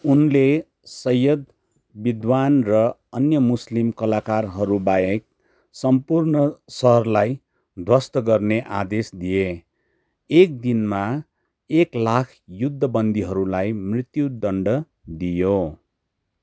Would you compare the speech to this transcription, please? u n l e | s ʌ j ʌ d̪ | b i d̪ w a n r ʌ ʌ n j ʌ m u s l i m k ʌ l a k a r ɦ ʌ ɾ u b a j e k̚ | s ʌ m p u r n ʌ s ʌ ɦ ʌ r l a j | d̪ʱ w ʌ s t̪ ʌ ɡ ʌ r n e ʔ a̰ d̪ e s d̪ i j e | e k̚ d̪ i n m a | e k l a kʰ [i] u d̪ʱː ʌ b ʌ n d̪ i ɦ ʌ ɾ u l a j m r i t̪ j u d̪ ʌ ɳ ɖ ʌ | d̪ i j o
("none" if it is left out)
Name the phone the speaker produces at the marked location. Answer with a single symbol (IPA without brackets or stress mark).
j